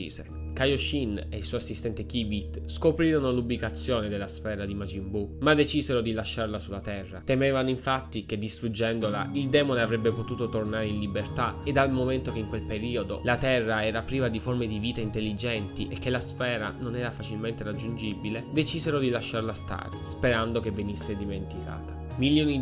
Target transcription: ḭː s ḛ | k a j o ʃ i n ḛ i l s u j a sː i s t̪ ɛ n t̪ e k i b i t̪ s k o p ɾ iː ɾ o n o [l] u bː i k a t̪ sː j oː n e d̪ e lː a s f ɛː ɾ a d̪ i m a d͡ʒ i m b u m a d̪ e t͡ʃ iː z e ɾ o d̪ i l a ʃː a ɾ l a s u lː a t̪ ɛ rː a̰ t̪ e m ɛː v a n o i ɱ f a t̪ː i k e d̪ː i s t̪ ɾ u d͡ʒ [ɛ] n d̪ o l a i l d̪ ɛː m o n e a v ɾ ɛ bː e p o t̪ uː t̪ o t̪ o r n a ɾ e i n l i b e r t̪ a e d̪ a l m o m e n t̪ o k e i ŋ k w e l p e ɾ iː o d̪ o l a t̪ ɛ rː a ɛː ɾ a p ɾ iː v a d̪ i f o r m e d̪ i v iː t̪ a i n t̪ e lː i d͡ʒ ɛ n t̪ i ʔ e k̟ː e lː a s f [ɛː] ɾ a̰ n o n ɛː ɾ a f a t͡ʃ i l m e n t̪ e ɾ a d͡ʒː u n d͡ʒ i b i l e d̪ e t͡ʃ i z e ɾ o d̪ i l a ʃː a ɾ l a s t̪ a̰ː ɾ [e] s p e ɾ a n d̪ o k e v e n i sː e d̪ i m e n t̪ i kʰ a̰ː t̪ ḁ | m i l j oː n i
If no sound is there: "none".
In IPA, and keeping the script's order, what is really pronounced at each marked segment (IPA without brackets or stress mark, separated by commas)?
l, ɛ, ɛː, e